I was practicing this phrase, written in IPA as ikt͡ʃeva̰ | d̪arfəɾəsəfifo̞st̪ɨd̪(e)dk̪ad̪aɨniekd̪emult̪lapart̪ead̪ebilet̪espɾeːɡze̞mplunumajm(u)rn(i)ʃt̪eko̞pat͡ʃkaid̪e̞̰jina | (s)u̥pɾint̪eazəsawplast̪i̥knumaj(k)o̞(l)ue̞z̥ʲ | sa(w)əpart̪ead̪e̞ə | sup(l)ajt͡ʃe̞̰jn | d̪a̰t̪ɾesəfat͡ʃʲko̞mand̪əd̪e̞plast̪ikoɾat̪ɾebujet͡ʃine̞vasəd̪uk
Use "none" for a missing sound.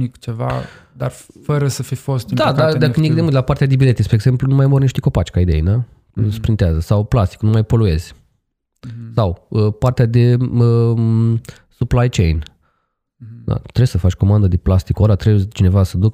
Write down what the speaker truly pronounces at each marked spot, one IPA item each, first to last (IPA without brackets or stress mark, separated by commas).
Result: a, o, i, s, p, l, w, l